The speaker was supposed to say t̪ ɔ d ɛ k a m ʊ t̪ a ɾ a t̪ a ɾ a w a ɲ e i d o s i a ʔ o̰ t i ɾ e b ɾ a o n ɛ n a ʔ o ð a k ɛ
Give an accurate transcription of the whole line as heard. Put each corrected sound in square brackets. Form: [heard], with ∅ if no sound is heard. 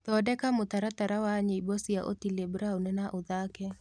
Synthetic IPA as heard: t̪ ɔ d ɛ k a m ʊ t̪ a ɾ a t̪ a ɾ a w a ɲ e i [b] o s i a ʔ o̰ t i [l] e b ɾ a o n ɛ n a ʔ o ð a k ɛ

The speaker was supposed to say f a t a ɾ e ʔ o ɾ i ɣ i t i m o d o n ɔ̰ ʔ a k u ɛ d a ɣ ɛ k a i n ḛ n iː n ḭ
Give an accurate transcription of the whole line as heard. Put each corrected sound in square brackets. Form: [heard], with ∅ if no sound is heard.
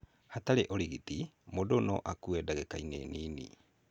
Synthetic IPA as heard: [h] a t a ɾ e ʔ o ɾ i ɣ i t i m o d o n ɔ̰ ʔ a k u ɛ d a ɣ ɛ k a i n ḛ n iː n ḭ

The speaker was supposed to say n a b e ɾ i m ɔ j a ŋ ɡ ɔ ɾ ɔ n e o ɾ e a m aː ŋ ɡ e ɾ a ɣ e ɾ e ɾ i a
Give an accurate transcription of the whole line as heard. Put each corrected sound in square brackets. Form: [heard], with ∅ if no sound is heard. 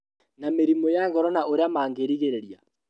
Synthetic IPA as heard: n a [m] e ɾ i m ɔ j a ŋ ɡ ɔ ɾ ɔ n [a] o ɾ e a m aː ŋ ɡ e ɾ [i] ɣ e ɾ e ɾ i a

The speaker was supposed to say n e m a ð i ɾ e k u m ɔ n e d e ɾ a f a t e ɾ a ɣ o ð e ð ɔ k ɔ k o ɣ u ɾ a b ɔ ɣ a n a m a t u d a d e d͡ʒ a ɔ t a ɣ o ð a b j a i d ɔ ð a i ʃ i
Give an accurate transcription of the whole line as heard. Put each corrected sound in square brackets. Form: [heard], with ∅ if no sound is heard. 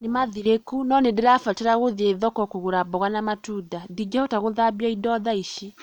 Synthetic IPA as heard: n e m a ð i ɾ e k u [n] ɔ n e d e ɾ a f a t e ɾ a ɣ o ð e ð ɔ k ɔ k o ɣ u ɾ a b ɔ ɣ a n a m a t u d a d [i] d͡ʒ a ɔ t a ɣ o ð a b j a i d ɔ ð a i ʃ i

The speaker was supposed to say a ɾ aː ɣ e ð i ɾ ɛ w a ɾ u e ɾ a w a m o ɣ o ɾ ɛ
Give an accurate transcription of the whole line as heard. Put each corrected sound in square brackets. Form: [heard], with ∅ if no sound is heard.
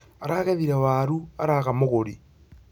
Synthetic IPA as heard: a ɾ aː ɣ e ð i ɾ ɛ w a ɾ u [a] ɾ a [ɣ] a m o ɣ o ɾ [i]

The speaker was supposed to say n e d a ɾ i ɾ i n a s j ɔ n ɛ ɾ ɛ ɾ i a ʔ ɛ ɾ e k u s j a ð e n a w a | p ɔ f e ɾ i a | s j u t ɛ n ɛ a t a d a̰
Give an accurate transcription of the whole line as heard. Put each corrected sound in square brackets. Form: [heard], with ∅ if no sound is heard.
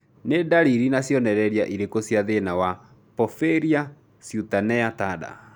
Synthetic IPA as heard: n e d a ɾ i ɾ i n a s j ɔ n ɛ ɾ ɛ ɾ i a ʔ [i] ɾ e k [o] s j a ð e n a w a | p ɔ f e ɾ i a | s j u t [a] n ɛ a t a d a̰

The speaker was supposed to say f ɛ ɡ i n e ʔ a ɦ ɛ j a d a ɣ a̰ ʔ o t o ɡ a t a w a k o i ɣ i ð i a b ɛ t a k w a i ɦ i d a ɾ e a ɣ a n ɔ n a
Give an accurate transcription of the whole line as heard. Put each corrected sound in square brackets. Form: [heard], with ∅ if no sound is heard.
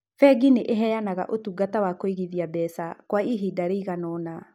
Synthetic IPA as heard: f ɛ ɡ i n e ʔ [e] ɦ ɛ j a [n] a ɣ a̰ ʔ o t [u] ɡ a t a w a k o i ɣ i ð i a b ɛ [s] a k w a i ɦ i d a ɾ e [i] ɣ a n ɔ n a

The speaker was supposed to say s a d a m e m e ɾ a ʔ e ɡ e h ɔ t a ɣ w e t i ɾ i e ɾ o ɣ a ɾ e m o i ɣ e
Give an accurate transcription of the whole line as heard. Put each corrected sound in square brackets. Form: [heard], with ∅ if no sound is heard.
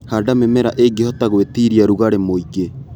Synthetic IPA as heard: [h] a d a m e m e ɾ a ʔ e ɡ e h ɔ t a ɣ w e t i ɾ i [a] ɾ [u] ɣ a ɾ e m o i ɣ e

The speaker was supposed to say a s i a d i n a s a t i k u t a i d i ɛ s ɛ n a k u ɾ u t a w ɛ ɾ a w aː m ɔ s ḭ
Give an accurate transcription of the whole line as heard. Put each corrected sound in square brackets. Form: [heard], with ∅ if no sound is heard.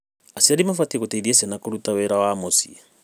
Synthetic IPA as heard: a s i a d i [m] a [f] a t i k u t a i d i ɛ s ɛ n a k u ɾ u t a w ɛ ɾ a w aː m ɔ s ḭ

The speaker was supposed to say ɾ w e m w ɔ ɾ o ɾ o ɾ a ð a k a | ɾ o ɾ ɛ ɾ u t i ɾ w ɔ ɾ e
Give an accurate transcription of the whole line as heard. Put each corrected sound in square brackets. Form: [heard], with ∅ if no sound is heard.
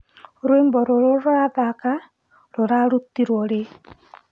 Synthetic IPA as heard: ɾ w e m [b] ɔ ɾ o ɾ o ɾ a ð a k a | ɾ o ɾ [a] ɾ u t i ɾ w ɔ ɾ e

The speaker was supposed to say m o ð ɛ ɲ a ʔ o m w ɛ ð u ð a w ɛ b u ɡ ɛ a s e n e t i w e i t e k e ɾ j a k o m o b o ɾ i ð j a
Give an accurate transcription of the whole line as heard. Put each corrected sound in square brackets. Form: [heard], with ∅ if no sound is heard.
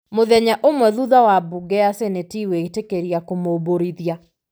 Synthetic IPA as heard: m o ð ɛ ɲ a ʔ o m w ɛ ð u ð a w [a] b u ɡ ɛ a s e n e t i w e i t e k e ɾ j a k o m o b o ɾ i ð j a

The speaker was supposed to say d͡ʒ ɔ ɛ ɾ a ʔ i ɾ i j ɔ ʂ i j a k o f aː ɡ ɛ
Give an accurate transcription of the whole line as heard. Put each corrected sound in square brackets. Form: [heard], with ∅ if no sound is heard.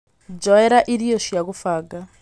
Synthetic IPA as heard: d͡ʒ ɔ ɛ ɾ a ʔ i ɾ i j ɔ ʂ i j a k [u] f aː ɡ [a]

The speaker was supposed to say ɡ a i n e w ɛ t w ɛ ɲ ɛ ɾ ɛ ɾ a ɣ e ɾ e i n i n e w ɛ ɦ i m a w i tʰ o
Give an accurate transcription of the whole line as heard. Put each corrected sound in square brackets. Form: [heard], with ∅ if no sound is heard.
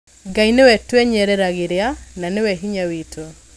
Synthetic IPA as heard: ɡ a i n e w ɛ t w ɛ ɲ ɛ ɾ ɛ ɾ a ɣ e ɾ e [a] n [a] n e w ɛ ɦ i [ɲ] a w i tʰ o

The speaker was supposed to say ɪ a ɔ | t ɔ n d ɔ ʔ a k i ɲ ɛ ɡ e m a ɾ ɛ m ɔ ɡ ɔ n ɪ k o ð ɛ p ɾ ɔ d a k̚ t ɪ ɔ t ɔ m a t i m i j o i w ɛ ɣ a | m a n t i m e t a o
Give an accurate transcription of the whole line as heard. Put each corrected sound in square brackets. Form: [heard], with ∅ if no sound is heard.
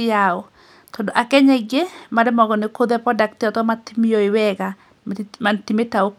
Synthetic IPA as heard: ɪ a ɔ | t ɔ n d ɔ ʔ a k [ɛ] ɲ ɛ ɡ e m a ɾ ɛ m ɔ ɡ ɔ n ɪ k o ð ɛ p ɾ ɔ d a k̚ t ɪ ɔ t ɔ m a t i m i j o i w ɛ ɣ a | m a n t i m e t a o

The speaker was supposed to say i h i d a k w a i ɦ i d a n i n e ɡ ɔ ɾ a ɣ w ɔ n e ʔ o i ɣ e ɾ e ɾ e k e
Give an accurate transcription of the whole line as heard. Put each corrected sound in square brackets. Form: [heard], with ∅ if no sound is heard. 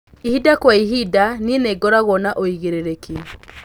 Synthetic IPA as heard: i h i d a k w a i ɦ i d a n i n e ɡ ɔ ɾ a ɣ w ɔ n [a] ʔ o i ɣ e ɾ e ɾ e k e

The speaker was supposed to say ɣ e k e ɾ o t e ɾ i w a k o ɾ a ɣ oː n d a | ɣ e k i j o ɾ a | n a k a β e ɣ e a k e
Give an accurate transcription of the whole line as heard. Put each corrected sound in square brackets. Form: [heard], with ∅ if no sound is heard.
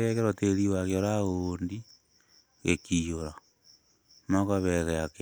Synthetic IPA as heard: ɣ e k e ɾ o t e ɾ i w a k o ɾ a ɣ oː n d [i] | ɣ e k i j o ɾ a | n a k a β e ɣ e a k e

